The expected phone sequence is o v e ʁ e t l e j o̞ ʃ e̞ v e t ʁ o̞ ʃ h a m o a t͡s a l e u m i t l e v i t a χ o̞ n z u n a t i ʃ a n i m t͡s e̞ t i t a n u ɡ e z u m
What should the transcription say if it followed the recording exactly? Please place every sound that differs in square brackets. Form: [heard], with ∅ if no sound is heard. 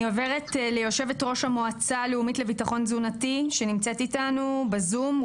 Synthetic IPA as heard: o v e ʁ e t l e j o̞ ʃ e̞ v e t ʁ o̞ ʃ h a m o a t͡s a l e u m i t l e v i t a χ o̞ n z u n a t i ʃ [e] n i m t͡s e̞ t i t a n u [b] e z u m